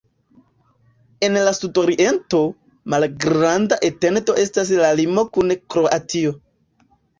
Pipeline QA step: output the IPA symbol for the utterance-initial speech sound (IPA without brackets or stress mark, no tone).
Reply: e̞